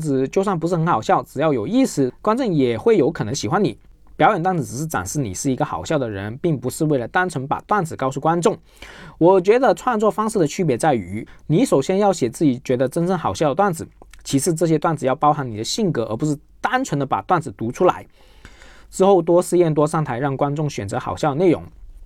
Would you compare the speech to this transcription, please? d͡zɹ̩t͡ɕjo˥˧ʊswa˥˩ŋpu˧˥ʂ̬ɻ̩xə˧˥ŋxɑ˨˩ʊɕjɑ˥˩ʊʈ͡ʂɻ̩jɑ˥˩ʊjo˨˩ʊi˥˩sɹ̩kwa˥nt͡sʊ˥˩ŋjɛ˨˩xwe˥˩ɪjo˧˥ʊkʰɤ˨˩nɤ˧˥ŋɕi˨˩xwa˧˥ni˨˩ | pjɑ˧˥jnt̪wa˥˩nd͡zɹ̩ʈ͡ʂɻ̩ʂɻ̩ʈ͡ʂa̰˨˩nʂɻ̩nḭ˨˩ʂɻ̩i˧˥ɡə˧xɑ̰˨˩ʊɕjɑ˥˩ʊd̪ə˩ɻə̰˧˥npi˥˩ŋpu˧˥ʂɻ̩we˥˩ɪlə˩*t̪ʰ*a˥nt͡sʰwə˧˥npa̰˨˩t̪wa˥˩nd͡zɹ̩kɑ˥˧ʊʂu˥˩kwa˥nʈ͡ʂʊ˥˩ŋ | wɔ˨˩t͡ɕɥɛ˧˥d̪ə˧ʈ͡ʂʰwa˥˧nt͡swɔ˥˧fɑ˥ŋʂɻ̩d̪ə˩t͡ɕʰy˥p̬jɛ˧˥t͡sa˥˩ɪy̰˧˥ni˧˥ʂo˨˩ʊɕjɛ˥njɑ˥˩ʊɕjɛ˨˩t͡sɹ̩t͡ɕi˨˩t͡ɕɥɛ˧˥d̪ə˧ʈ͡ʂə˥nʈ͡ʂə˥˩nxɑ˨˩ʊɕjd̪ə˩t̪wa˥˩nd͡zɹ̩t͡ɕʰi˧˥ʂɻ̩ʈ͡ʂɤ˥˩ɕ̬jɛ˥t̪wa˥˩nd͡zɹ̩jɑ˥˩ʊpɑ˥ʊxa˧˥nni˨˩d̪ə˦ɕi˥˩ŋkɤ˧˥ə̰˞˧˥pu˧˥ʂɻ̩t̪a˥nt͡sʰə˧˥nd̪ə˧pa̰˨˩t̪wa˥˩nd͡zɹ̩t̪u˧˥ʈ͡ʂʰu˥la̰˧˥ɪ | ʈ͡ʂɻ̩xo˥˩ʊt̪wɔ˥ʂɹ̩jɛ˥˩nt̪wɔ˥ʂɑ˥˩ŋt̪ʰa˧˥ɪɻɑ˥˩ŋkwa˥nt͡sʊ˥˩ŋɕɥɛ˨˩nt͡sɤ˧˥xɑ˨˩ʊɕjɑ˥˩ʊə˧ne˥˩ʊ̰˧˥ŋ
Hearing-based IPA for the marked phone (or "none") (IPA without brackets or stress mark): t̪